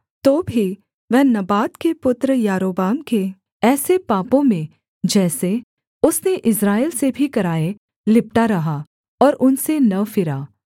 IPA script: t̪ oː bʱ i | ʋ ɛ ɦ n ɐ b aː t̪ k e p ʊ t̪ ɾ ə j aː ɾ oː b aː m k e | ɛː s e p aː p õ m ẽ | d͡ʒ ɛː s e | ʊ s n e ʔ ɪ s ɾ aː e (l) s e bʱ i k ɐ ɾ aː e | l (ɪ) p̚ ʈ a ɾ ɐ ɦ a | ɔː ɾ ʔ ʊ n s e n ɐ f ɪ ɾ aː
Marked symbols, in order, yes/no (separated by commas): yes, yes